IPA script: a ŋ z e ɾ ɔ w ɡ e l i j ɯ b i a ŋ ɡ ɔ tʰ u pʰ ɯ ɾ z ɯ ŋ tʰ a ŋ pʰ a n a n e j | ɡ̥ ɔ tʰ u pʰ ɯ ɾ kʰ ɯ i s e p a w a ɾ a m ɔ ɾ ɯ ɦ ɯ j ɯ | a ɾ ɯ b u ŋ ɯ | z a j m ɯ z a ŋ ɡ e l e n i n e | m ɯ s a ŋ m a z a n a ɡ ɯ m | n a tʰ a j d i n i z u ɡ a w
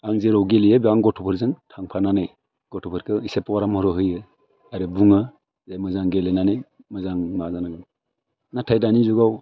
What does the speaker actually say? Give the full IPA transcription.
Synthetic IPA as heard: a ŋ z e ɾ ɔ w ɡ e l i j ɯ b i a ŋ ɡ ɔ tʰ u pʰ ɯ ɾ z ɯ ŋ tʰ a ŋ pʰ a n a n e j | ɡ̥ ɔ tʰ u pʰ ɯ ɾ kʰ ɯ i s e p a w a ɾ a m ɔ ɾ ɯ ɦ ɯ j ɯ | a ɾ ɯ b u ŋ ɯ | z a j m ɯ z a ŋ ɡ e l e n a n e | m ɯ z a ŋ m a z a n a ɡ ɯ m | n a tʰ a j d a n i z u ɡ a w